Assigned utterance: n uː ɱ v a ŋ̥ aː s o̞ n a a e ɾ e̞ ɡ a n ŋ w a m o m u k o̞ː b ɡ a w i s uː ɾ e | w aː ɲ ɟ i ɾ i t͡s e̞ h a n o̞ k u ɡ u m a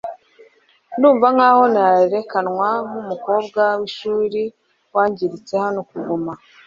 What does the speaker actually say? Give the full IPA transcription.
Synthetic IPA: n uː ɱ v a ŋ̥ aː h o̞ n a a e ɾ e̞ k a n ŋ w a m u m u k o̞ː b ɡ a w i ʃ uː ɾ i | w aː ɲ ɟ i ɾ i t͡s e̞ h a n o̞ k u ɡ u m a